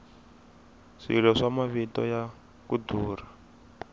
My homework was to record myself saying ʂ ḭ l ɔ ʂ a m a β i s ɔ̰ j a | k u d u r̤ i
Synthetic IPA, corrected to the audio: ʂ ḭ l ɔ ʂ a m a β i t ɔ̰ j a | k u d uː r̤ a

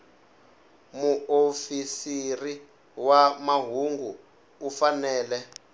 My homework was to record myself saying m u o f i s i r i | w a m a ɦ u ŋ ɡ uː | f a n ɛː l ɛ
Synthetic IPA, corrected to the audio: m u o f i s i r i | w a m a ɦ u ŋ ɡ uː | f a n ɛː l ɛ

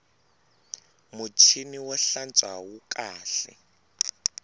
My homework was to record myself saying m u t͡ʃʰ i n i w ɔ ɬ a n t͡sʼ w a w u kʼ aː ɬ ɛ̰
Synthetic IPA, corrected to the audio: m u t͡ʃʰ i n i w ɔ ɬ a n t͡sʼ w a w u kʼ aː ɬ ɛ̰

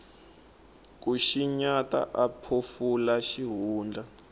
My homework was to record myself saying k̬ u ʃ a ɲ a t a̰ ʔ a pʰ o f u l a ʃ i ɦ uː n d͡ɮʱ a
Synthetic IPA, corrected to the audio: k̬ u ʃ i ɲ a t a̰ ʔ a pʰ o f u l a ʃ i ɦ uː n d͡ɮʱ a

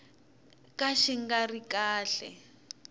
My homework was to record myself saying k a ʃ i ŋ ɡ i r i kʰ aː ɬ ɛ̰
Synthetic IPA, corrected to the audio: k a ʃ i ŋ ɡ a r i k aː ɬ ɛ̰

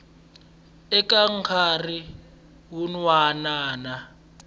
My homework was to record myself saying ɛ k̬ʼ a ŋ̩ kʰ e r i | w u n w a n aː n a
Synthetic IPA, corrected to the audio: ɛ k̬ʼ a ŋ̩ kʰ a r i | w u n w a n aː n a

